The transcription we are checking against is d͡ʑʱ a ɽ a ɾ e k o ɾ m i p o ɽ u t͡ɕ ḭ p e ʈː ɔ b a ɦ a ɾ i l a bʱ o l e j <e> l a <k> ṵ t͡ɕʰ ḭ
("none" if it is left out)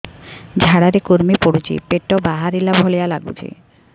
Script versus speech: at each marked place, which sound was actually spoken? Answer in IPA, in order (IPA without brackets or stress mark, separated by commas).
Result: a, ɡ